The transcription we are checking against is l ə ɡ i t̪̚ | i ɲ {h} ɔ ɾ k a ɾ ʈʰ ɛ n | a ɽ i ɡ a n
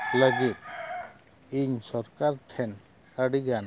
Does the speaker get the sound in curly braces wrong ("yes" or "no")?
yes